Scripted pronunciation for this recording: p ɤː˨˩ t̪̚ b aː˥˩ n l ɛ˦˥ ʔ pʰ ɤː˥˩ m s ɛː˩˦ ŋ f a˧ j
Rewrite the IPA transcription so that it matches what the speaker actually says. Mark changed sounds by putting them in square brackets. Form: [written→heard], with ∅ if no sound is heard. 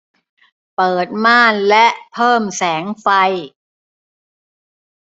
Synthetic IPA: p ɤː˨˩ t̪̚ [b→m] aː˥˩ n l ɛ˦˥ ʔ pʰ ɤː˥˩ m s ɛː˩˦ ŋ f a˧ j

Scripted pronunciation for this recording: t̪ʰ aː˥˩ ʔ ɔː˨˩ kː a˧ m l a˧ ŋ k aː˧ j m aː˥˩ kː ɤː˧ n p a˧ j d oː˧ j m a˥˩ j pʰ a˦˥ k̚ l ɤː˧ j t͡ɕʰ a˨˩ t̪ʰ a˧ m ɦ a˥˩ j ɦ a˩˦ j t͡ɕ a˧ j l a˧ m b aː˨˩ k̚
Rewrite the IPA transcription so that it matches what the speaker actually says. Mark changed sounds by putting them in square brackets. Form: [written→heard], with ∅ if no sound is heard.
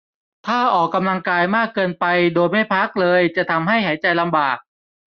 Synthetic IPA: t̪ʰ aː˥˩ ʔ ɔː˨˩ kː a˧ m l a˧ ŋ k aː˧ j m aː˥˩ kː ɤː˧ n p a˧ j d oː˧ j m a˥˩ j pʰ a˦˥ k̚ l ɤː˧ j [t͡ɕʰ→t͡ɕ] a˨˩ t̪ʰ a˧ m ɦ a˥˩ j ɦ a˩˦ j t͡ɕ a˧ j l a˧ m b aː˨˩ k̚

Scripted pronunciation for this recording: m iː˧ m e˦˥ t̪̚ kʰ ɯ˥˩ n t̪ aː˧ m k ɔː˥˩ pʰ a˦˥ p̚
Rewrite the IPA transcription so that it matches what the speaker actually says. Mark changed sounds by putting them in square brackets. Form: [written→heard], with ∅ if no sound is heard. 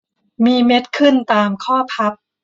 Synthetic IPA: m iː˧ m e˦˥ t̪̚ kʰ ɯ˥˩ n t̪ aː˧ m [k→kʰ] ɔː˥˩ pʰ a˦˥ p̚

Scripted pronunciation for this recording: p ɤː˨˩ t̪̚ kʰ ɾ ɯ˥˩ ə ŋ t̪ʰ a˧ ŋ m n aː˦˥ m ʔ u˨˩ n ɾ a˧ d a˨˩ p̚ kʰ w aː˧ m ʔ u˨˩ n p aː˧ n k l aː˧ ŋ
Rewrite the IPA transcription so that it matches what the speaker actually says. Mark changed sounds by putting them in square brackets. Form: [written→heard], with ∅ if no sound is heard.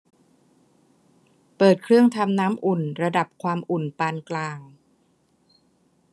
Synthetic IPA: p ɤː˨˩ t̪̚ kʰ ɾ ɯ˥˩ ə ŋ t̪ʰ a˧ [ŋ→∅] m n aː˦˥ m ʔ u˨˩ n ɾ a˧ d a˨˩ p̚ kʰ w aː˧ m ʔ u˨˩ n p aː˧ n k l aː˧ ŋ

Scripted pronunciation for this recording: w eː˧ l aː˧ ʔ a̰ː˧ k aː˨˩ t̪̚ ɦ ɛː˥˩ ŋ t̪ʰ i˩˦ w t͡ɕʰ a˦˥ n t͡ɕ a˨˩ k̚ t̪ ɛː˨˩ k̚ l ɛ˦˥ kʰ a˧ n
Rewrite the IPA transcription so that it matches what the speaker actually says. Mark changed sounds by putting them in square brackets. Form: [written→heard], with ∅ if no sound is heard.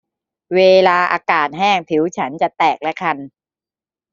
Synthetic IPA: w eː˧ l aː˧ ʔ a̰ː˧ k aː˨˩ t̪̚ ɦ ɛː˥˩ ŋ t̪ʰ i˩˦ w t͡ɕʰ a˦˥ n t͡ɕ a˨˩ [k̚→∅] t̪ ɛː˨˩ k̚ l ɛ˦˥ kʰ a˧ n

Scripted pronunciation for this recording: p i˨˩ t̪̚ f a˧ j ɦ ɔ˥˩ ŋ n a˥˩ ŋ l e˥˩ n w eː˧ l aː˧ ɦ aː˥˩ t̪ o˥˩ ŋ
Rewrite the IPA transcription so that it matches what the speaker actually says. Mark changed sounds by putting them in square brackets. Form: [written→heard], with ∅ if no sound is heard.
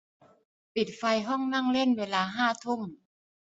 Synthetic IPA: p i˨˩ t̪̚ f a˧ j ɦ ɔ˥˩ ŋ n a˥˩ ŋ l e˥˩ n w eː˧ l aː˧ ɦ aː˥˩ [t̪→t̪ʰ] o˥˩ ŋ

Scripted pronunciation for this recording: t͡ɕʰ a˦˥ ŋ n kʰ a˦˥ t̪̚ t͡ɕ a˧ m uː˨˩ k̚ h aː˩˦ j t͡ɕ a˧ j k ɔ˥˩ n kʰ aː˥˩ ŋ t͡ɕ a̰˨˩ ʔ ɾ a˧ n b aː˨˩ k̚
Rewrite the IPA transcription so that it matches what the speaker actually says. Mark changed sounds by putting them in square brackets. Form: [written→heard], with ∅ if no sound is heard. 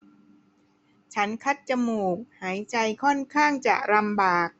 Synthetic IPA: t͡ɕʰ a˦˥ [ŋ→∅] n kʰ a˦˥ t̪̚ t͡ɕ a˧ m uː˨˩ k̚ h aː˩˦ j t͡ɕ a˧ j [k→kʰ] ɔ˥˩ n kʰ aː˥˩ ŋ t͡ɕ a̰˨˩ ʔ ɾ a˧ [n→m] b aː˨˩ k̚

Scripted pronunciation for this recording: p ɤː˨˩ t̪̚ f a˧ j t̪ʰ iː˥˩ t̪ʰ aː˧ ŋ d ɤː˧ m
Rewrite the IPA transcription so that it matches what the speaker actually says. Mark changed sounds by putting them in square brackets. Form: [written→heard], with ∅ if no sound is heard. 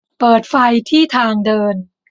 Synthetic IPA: p ɤː˨˩ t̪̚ f a˧ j t̪ʰ iː˥˩ t̪ʰ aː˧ ŋ d ɤː˧ [m→n]

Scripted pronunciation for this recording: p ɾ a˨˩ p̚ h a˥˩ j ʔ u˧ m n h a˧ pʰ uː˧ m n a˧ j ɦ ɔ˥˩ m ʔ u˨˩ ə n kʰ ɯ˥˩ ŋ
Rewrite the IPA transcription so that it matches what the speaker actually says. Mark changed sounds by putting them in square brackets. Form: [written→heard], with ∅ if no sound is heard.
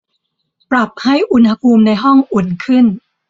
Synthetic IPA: p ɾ a˨˩ p̚ h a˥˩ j ʔ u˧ [m→∅] n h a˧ pʰ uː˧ m n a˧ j ɦ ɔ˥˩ [m→ŋ] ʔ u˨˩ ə n kʰ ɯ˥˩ [ŋ→n]

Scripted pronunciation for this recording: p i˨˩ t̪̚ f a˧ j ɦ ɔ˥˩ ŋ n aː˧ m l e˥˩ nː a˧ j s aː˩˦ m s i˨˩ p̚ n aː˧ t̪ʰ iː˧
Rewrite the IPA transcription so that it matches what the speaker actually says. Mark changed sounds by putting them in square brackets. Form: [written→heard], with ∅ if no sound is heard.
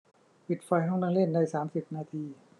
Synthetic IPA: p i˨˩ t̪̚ f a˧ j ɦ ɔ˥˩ ŋ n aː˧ [m→ŋ] l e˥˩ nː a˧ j s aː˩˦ m s i˨˩ p̚ n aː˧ t̪ʰ iː˧

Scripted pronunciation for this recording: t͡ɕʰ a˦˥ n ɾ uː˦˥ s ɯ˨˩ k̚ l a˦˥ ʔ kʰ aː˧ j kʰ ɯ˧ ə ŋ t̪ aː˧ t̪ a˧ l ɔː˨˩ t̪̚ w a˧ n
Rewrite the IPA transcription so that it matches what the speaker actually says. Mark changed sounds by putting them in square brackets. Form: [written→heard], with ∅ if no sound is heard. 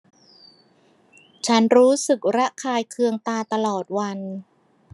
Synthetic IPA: t͡ɕʰ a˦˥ n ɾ uː˦˥ s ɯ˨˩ k̚ [l→ɾ] a˦˥ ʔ kʰ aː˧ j kʰ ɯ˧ ə ŋ t̪ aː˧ t̪ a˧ l ɔː˨˩ t̪̚ w a˧ n

